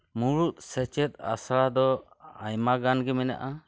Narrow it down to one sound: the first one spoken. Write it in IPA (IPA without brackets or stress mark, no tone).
m